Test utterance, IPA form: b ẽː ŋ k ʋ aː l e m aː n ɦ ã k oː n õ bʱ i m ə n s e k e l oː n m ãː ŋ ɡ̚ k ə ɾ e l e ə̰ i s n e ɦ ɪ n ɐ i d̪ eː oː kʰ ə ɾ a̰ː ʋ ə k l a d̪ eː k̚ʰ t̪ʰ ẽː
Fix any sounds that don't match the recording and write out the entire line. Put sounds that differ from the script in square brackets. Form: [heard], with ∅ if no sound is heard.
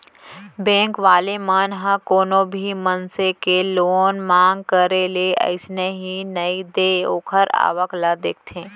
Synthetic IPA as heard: b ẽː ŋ k ʋ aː l e m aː n ɦ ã k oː n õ bʱ i m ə n s e k e l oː n m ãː ŋ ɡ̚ k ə ɾ e l e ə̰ [ɪ] s n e ɦ [i] n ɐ i d̪ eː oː kʰ ə ɾ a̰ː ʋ ə k l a d̪ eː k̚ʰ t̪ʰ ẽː

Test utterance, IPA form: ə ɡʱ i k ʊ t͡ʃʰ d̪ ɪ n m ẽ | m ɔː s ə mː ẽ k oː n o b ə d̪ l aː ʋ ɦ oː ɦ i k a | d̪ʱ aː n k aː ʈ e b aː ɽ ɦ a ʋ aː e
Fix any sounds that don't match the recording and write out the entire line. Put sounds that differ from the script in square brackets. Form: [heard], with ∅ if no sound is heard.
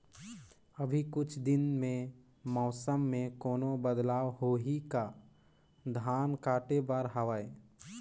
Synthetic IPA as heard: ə [bʱ] i k ʊ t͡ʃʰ d̪ ɪ n m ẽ | m ɔː s ə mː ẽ k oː n o b ə d̪ l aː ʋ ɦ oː ɦ i k a | d̪ʱ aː n k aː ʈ e b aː [ɾ] ɦ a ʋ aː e

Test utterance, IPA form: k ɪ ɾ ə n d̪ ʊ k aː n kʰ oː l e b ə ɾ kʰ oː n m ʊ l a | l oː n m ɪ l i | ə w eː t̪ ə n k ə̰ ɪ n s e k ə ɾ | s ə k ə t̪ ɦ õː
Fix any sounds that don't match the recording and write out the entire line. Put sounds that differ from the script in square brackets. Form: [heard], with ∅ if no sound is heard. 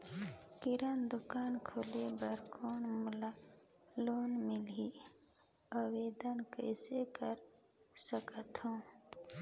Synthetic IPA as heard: k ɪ ɾ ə n d̪ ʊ k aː n kʰ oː l e b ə ɾ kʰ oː n m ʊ l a | l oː n m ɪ l i | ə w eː [d̪] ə n k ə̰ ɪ [∅] s e k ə ɾ | s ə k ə t̪ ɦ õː

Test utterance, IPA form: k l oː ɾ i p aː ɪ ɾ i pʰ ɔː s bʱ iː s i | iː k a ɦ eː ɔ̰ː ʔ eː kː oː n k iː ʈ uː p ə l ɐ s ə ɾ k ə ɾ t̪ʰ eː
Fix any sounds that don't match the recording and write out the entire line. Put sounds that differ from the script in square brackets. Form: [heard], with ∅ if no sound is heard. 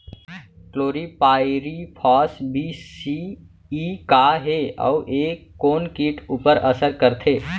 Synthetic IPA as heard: k l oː ɾ i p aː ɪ ɾ i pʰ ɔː s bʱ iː s i | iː k a ɦ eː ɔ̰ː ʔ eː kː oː n k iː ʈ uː p ə [ɾ] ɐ s ə ɾ k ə ɾ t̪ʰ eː

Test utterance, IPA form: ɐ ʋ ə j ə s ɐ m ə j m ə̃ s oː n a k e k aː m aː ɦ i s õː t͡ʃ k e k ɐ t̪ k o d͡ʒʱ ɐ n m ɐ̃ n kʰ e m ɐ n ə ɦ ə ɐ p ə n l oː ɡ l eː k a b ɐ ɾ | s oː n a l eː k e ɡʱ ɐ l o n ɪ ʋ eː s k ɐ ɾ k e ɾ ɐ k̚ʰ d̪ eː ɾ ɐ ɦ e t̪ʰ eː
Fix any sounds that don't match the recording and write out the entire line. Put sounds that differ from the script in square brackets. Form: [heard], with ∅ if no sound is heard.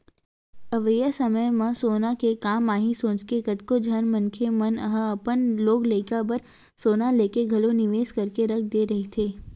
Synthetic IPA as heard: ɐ ʋ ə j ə s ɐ m ə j m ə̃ s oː n a k e k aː m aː ɦ i s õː t͡ʃ k e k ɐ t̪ k o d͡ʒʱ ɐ n m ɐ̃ n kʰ e m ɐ n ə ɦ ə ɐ p ə n l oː ɡ l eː k a b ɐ ɾ | s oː n a l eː k e ɡʱ ɐ l o n ɪ ʋ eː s k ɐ ɾ k e ɾ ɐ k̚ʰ d̪ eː ɾ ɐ ɦ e t̪ʰ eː

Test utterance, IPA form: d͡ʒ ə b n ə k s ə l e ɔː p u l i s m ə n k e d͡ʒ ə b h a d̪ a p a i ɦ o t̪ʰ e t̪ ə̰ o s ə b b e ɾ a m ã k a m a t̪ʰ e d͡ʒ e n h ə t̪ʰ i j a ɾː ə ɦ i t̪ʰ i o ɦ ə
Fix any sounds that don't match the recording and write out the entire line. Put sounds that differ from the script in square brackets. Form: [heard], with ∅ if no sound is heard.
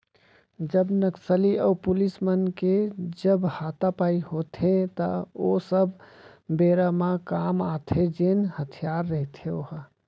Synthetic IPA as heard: d͡ʒ ə b n ə k s ə l [i] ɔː p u l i s m ə n k e d͡ʒ ə b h a [t̪] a p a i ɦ o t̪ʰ e t̪ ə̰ o s ə b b e ɾ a m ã k a m a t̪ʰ e d͡ʒ e n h ə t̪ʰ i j a ɾː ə ɦ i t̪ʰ [e] o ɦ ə

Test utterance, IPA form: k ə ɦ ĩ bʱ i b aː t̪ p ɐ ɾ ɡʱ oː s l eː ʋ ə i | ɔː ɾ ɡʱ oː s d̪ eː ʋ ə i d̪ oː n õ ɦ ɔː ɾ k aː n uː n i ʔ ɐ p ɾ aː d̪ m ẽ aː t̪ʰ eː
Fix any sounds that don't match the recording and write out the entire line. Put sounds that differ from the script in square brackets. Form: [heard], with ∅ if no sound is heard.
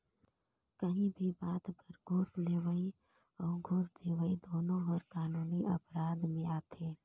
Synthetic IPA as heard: k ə ɦ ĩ bʱ i b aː t̪ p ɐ ɾ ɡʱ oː s l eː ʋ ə i | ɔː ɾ ɡʱ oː s d̪ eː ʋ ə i d̪ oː n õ ɦ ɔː ɾ k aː n uː n i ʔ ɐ p ɾ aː d̪ m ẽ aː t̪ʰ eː

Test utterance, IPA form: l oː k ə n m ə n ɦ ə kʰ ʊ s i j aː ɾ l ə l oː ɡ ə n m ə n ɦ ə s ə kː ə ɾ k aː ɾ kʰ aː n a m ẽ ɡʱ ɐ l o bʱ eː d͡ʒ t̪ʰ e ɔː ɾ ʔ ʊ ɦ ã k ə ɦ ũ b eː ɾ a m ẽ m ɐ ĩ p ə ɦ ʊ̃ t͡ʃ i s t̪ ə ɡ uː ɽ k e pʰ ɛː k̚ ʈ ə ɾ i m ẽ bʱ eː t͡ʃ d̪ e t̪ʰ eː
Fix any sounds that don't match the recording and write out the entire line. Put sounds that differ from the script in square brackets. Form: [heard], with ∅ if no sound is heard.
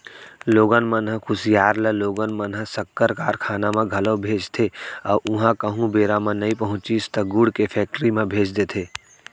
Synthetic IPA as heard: l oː [ɡ] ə n m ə n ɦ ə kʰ ʊ s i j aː ɾ l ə l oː ɡ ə n m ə n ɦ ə s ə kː ə ɾ k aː ɾ kʰ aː n a m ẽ ɡʱ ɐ l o bʱ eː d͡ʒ t̪ʰ e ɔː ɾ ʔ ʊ ɦ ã k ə ɦ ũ b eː ɾ a m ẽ [n] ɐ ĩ p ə ɦ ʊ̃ t͡ʃ i s t̪ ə ɡ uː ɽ k e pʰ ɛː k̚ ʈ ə ɾ i m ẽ bʱ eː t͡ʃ d̪ e t̪ʰ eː

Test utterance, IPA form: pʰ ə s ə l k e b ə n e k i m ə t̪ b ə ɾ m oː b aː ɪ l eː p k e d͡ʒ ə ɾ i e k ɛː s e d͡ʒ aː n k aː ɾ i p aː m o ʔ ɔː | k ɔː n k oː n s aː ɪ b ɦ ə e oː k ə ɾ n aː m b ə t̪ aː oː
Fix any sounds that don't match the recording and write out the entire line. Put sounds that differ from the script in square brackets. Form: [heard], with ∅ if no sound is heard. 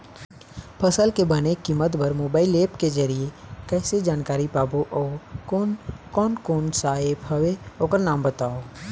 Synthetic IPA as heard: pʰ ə s ə l k e b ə n e k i m ə t̪ b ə ɾ m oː b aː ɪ l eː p k e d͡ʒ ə ɾ i e k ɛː s e d͡ʒ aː n k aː ɾ i p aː [b] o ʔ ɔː | k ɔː n k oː n s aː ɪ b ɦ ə e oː k ə ɾ n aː m b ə t̪ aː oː

